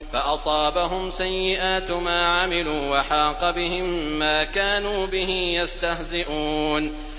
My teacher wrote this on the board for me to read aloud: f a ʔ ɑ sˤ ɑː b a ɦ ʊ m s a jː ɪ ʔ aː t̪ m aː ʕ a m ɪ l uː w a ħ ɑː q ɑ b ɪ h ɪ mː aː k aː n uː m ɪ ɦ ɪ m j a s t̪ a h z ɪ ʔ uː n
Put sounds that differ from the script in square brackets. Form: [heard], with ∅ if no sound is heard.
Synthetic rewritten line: f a ʔ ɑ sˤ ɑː b a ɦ ʊ m s a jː ɪ ʔ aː t̪ m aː ʕ a m ɪ l uː w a ħ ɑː q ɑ b ɪ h ɪ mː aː k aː n uː [b] ɪ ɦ ɪ m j a s t̪ a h z ɪ ʔ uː n